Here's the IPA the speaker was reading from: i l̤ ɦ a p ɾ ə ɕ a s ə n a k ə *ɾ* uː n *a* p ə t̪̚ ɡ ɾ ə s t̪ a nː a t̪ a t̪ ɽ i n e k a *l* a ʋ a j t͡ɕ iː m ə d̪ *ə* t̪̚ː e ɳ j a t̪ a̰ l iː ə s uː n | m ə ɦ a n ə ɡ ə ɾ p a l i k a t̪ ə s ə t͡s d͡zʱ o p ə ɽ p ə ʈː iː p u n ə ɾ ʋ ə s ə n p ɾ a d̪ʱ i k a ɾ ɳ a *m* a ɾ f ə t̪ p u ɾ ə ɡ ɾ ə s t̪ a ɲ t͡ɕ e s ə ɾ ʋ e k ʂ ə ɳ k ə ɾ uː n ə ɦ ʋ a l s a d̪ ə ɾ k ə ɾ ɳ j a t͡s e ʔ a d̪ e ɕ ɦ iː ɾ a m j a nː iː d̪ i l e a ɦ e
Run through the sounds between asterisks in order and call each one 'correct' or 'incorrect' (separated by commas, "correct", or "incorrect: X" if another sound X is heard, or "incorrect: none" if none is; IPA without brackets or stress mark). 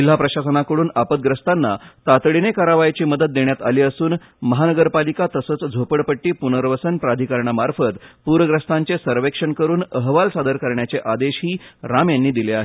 incorrect: ɽ, correct, incorrect: ɾ, correct, correct